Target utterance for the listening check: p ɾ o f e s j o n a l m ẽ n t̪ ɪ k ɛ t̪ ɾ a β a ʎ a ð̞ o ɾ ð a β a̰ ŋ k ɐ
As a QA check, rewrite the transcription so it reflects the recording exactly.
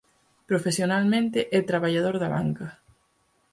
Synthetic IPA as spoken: p ɾ o f e s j o n a l m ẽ n t̪ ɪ ʔ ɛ t̪ ɾ a β a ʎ a ð̞ o ɾ ð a β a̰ ŋ k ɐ